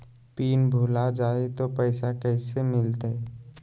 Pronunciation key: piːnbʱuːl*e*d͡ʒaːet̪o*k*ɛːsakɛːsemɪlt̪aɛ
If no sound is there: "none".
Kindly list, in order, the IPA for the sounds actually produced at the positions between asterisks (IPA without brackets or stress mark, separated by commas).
a, p